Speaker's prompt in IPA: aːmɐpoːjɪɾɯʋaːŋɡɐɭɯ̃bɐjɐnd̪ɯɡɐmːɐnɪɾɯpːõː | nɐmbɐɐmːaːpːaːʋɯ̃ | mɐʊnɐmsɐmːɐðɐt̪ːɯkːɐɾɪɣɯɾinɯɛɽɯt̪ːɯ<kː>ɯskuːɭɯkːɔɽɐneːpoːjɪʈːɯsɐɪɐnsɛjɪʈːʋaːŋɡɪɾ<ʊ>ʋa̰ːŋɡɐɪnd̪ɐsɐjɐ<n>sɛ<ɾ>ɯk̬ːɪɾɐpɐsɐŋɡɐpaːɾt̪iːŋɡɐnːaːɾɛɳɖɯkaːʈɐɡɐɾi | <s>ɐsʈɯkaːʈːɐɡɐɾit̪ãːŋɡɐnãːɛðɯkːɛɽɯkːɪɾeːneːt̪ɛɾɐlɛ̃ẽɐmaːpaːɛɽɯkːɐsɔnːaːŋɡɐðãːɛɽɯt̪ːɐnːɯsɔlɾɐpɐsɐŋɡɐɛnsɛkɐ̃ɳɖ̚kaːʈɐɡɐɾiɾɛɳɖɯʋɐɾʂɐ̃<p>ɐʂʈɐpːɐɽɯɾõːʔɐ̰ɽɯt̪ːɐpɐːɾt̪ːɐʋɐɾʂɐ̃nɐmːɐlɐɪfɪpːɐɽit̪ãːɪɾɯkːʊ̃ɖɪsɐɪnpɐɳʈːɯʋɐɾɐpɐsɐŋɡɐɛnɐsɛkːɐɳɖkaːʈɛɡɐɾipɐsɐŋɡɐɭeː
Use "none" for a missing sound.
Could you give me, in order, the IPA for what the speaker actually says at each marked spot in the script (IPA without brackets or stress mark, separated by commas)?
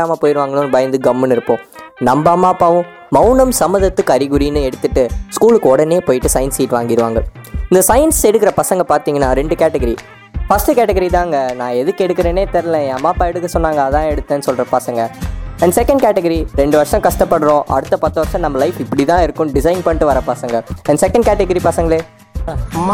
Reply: ʈː, ɯ, n, ɽ, f, k